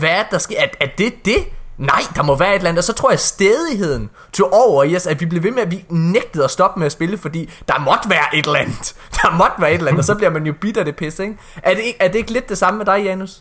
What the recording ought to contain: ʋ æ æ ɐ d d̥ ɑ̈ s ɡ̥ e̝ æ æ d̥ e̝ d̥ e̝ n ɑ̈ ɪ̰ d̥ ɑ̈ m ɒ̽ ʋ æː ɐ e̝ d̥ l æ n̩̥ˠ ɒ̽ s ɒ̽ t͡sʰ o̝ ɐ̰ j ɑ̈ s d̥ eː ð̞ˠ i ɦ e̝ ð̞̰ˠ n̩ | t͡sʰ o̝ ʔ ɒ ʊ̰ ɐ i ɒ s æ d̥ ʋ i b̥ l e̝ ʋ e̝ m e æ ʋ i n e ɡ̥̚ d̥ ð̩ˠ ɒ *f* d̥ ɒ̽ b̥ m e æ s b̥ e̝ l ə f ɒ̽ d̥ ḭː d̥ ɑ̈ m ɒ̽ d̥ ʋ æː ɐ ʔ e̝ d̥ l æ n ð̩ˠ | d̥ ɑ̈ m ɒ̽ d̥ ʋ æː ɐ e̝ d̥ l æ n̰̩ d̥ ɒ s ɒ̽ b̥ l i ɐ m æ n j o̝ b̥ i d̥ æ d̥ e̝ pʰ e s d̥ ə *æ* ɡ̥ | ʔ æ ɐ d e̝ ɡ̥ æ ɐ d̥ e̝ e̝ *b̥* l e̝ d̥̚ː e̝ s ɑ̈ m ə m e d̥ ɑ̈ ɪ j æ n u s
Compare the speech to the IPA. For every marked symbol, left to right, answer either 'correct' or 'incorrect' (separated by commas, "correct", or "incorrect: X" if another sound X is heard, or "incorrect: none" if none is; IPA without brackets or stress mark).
incorrect: s, incorrect: e, incorrect: ɡ̥